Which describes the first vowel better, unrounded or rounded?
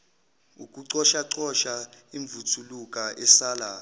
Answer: rounded